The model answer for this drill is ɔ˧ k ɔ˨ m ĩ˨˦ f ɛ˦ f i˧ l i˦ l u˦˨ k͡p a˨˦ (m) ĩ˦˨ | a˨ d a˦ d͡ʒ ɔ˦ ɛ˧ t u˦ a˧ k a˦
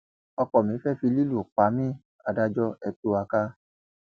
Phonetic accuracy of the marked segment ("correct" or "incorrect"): correct